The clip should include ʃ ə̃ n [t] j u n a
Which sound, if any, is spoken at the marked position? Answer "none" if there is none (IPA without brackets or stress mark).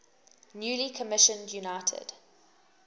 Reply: d